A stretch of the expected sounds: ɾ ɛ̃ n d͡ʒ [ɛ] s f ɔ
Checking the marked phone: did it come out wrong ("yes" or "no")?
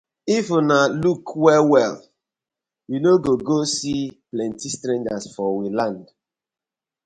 yes